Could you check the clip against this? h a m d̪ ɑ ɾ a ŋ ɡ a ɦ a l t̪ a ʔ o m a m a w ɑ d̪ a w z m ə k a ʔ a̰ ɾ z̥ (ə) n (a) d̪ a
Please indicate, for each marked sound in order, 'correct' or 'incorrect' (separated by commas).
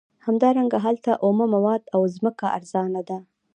incorrect, correct